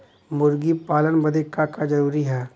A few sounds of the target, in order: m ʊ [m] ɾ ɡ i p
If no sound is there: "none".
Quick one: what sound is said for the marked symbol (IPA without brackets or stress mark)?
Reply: none